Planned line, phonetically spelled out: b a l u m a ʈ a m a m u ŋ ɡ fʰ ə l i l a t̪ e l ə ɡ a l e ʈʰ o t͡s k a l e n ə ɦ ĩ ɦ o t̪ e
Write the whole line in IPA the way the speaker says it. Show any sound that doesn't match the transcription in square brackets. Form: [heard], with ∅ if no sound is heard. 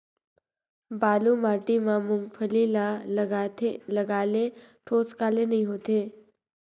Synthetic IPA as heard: b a l u m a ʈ [i] m a m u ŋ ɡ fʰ ə l i l a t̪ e l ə ɡ a l e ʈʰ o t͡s k a l e n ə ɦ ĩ ɦ o t̪ e